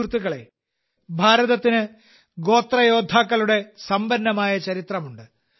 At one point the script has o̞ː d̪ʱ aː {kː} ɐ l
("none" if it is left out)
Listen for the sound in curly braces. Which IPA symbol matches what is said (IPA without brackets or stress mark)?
kː